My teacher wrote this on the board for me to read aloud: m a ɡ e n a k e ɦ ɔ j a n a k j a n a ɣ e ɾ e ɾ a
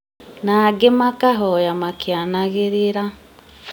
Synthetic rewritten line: n a ɡ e m a k a ɦ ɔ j a m a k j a n a ɣ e ɾ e ɾ a